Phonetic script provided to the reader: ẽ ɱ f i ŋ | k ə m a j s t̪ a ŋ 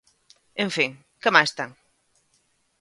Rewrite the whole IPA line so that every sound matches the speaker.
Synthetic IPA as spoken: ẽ ɱ f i ŋ | k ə m a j s t̪ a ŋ